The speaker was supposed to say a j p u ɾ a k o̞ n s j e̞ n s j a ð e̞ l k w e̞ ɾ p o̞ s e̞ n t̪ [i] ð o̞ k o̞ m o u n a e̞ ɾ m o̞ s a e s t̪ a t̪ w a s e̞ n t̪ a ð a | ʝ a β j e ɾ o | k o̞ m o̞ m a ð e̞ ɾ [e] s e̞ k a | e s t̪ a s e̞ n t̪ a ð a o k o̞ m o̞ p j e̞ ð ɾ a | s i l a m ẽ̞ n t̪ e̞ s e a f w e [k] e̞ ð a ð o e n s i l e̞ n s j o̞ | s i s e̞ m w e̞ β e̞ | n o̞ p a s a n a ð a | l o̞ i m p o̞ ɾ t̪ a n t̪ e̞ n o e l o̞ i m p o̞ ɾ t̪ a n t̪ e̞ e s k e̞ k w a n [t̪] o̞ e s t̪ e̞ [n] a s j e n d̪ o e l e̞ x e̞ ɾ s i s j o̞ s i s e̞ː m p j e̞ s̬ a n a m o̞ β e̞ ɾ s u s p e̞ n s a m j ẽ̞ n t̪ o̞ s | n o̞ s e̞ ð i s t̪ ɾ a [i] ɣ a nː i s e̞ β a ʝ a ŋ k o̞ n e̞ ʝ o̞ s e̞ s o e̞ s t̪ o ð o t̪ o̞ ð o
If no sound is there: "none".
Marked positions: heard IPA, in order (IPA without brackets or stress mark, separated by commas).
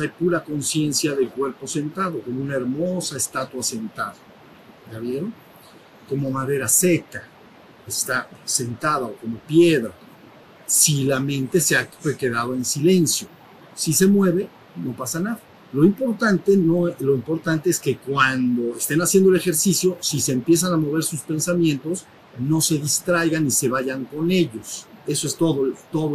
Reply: a, a, k, d̪, n, j